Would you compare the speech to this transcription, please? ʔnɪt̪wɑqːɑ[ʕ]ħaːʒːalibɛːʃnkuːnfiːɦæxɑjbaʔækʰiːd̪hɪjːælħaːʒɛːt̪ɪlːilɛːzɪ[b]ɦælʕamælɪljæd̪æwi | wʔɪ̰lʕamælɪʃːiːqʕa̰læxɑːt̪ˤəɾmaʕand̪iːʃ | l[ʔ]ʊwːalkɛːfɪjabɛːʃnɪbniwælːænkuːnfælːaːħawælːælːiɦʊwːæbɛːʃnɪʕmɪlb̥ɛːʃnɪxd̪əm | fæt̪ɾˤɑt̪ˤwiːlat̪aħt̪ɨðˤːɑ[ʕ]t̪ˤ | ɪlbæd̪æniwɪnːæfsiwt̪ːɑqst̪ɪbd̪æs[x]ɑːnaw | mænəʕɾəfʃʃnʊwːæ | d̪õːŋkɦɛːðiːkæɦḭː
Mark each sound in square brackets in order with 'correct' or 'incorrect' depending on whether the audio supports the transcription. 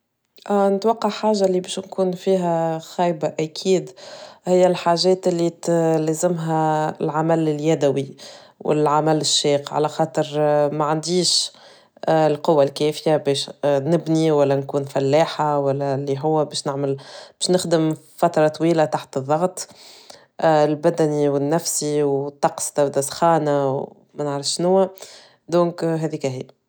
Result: correct, incorrect: m, incorrect: q, incorrect: ɣ, correct

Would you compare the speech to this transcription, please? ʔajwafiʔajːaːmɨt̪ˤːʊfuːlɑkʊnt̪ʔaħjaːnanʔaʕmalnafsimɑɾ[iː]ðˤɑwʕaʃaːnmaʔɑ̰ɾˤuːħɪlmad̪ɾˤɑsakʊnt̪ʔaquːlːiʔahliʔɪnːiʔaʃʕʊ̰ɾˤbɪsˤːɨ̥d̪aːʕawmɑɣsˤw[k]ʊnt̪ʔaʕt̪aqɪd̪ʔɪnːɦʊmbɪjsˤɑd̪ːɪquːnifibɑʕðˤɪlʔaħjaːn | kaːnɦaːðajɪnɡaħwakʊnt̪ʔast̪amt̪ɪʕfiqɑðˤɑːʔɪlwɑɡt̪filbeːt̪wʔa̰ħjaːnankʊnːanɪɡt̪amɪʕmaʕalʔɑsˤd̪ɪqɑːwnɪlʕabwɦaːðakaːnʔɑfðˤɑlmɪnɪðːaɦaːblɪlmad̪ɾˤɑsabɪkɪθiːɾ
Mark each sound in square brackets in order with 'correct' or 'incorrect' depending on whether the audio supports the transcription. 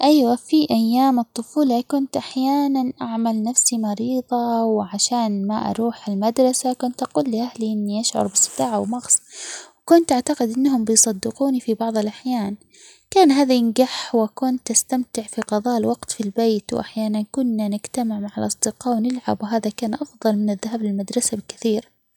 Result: correct, correct

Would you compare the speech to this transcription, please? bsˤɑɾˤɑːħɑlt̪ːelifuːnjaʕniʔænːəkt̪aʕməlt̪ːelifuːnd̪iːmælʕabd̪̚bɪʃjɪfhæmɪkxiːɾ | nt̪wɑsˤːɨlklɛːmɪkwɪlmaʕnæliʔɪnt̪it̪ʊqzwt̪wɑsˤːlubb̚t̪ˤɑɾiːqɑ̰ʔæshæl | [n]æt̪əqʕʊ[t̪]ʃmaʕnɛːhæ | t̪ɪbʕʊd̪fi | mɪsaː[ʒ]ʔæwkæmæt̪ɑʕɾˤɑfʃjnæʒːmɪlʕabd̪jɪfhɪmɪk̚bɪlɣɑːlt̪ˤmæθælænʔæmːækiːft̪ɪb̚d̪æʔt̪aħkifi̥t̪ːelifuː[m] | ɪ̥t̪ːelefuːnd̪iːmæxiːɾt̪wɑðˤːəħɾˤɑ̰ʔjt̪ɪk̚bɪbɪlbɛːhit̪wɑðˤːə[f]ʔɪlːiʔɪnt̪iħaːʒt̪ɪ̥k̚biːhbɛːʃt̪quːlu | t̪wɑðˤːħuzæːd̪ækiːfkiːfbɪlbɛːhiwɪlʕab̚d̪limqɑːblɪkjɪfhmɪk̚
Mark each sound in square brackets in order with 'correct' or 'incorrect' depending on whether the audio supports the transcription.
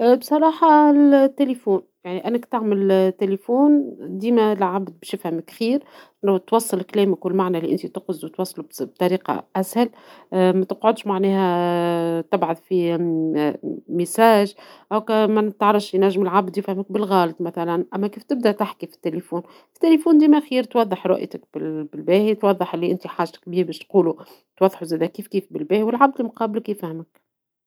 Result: incorrect: m, incorrect: d̪, correct, incorrect: n, incorrect: ħ

